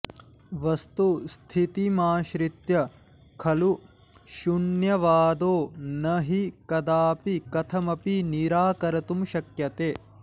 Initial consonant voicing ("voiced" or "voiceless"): voiced